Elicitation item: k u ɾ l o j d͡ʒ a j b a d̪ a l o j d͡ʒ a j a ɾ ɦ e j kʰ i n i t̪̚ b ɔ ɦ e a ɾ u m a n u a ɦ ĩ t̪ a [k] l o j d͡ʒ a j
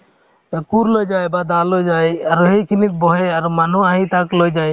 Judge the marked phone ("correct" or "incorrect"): correct